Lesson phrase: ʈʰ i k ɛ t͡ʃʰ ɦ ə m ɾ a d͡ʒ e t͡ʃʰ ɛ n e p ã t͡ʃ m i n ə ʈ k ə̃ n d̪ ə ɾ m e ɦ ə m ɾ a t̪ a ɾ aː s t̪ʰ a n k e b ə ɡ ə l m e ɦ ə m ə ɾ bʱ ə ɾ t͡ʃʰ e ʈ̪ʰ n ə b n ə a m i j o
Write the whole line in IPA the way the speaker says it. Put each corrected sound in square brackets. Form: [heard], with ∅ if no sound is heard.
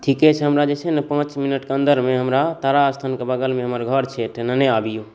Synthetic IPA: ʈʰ i k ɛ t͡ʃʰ ɦ ə m ɾ a d͡ʒ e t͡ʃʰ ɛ n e p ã t͡ʃ m i n ə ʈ k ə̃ n d̪ ə ɾ m e ɦ ə m ɾ a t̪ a ɾ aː s t̪ʰ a n k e b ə ɡ ə l m e ɦ ə m ə ɾ [ɡʱ] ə ɾ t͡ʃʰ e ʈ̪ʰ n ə [∅] n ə a [b] i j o